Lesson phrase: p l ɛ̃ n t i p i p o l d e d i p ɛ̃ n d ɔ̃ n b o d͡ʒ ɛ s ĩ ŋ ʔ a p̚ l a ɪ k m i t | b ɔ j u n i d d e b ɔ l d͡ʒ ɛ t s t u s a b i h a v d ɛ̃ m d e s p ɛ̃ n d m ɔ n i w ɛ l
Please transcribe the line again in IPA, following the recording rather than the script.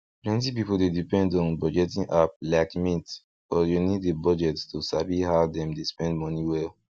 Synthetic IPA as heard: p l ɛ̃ n t i p i p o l d e d i p ɛ̃ n d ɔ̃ n b ɔ d͡ʒ ɛ t ĩ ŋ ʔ a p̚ l a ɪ k m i t | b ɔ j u n i d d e b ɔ d͡ʒ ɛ t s t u s a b i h a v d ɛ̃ m d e s p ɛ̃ n d m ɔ n i w ɛ l